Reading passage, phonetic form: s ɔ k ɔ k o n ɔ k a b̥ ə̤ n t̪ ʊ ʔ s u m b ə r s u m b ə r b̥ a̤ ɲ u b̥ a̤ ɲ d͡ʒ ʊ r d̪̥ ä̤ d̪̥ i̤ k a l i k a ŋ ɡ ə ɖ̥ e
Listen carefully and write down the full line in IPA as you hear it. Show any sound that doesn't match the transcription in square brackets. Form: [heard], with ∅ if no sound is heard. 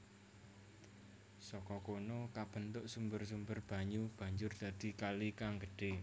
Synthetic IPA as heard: s ɔ k ɔ k o n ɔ k a b̥ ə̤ n t̪ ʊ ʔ s u m b ə r s u m b ə r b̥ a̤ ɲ u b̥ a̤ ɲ d͡ʒ ʊ r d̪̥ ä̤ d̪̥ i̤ k a l i k a ŋ ɡ ə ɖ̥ e